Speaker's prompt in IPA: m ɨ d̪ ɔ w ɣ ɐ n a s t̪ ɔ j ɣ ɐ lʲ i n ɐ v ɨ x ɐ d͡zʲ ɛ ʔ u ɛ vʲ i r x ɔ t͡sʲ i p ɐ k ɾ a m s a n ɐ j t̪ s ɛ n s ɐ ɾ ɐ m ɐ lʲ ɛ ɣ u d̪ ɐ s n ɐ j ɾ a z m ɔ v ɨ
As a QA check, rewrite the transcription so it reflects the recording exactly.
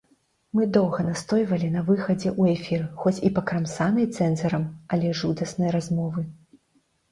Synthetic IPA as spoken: m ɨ d̪ ɔ w ɣ ɐ n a s t̪ ɔ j v ɐ lʲ i n ɐ v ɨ x ɐ d͡zʲ ɛ ʔ u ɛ fʲ i r x ɔ t͡sʲ i p ɐ k ɾ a m s a n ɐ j t̪ s ɛ n z ɐ ɾ ɐ m ɐ lʲ ɛ ʐ u d̪ ɐ s n ɐ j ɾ a z m ɔ v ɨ